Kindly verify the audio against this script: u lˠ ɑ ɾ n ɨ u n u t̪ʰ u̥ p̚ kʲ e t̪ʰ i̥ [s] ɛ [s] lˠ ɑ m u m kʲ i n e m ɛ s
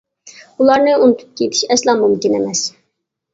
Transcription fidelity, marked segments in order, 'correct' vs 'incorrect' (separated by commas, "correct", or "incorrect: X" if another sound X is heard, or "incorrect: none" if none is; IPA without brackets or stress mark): incorrect: ʃ, correct